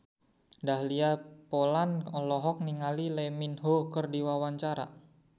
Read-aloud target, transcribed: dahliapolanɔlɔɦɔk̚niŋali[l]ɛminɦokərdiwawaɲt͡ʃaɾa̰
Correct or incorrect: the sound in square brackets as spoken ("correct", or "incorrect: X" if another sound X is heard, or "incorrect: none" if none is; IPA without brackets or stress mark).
correct